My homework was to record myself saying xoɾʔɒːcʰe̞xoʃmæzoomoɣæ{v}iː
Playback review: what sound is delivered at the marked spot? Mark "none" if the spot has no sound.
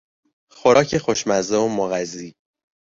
z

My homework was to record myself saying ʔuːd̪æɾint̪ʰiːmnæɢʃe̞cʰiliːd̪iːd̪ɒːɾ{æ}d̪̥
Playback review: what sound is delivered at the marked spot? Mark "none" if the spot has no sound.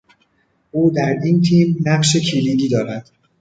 æ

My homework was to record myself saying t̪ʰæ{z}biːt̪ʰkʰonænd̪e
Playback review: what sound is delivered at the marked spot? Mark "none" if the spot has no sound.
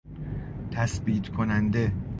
s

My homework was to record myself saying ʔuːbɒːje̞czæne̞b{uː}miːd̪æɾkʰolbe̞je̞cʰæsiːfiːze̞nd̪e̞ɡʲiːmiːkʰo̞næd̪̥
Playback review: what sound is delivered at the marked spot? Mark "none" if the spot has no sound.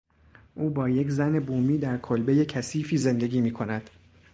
uː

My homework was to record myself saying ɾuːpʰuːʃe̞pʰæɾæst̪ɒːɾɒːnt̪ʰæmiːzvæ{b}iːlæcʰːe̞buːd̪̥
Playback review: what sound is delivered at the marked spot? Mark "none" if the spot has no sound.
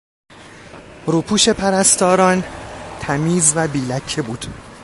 b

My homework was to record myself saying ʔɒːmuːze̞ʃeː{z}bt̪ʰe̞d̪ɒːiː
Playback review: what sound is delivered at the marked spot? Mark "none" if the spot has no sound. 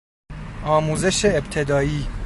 none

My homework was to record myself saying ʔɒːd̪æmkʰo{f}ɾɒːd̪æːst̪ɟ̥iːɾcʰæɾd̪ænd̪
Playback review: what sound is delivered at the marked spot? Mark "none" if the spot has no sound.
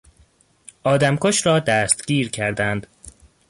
ʃ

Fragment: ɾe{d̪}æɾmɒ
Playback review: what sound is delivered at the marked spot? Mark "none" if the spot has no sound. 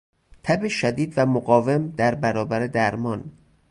d̪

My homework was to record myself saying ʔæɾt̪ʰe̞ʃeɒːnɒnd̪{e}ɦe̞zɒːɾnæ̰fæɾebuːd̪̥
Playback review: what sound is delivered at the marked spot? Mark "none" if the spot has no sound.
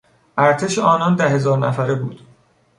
æ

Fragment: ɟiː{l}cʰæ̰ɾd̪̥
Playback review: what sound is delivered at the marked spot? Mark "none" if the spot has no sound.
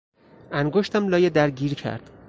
ɾ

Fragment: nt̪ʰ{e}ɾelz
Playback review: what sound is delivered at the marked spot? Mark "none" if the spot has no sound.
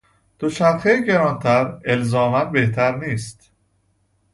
æ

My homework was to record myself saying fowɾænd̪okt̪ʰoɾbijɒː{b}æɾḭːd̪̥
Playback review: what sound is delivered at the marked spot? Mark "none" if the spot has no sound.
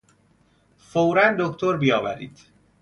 v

